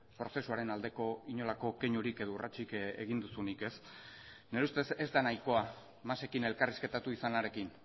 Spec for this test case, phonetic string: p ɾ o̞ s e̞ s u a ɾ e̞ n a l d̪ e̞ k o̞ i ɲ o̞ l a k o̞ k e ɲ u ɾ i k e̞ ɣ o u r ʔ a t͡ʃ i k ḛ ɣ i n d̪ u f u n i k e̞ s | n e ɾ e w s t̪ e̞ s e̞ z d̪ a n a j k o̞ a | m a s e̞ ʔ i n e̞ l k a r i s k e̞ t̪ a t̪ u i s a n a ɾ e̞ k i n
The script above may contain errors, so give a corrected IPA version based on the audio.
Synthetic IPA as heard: p ɾ o̞ s e̞ s u a ɾ e̞ n a l d̪ e̞ k o̞ i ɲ o̞ l a k o̞ k e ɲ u ɾ i k e̞ ð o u r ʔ a t͡ʃ i k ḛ ɣ i n d̪ u s u n i k e̞ s | n e ɾ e u s t̪ e̞ s e̞ z d̪ a n a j k o̞ a | m a s e̞ k i n e̞ l k a r i s k e̞ t̪ a t̪ u i s a n a ɾ e̞ k i n